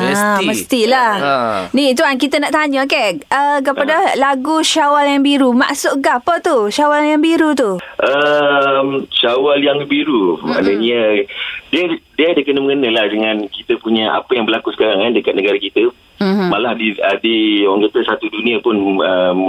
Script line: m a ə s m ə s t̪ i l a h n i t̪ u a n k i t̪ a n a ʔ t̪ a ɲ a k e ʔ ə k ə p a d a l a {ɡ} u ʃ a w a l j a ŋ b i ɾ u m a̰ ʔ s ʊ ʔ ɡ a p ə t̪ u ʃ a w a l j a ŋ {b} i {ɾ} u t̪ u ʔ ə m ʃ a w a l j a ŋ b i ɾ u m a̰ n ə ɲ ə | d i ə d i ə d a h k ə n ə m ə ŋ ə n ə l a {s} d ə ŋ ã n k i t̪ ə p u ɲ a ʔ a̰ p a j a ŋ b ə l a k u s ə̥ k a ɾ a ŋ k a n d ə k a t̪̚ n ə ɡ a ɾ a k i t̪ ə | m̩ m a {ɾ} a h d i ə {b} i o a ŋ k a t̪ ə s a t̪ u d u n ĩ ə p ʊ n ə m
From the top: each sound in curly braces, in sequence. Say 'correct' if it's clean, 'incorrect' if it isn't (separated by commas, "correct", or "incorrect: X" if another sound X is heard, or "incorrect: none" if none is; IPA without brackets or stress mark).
correct, correct, correct, incorrect: h, incorrect: l, incorrect: d